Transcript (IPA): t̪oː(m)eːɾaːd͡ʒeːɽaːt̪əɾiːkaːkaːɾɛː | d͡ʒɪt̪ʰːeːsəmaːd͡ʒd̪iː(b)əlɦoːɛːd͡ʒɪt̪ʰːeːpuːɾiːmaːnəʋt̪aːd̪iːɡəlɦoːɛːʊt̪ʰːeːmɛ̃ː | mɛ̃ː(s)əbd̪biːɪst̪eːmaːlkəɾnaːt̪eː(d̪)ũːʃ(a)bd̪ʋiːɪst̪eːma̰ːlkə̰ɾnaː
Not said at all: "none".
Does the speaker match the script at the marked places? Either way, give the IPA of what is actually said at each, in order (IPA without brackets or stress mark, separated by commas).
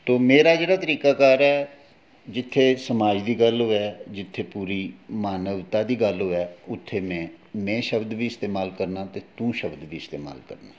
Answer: m, ɡ, ʃ, t̪, ə